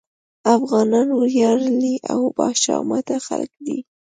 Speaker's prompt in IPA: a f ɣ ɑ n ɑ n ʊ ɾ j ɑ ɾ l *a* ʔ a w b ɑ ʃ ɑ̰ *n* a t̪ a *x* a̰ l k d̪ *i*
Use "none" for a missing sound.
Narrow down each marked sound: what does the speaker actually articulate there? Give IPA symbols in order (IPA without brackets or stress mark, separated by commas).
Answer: i, m, x, i